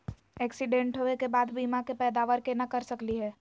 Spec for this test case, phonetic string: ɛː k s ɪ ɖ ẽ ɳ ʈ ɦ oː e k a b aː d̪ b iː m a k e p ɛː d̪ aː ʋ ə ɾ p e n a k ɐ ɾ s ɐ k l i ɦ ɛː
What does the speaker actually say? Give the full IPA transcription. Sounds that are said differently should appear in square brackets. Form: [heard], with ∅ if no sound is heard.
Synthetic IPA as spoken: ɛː k s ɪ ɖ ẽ ɳ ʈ ɦ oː e k [e] b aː d̪ b iː m a k e p ɛː d̪ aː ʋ ə ɾ [k] e n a k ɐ ɾ s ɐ k l i ɦ ɛː